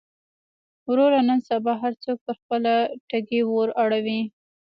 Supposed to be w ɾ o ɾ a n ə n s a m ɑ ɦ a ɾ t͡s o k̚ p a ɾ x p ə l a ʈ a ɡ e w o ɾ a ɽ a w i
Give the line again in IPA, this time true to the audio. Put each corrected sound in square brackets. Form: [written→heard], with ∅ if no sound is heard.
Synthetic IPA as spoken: w ɾ o ɾ a n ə n s a [m→b] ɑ ɦ a ɾ t͡s o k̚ p [a→ə] ɾ x p ə l a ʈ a ɡ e w o ɾ a ɽ a w i